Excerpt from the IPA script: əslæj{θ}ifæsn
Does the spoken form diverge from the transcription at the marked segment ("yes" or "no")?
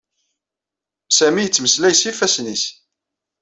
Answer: yes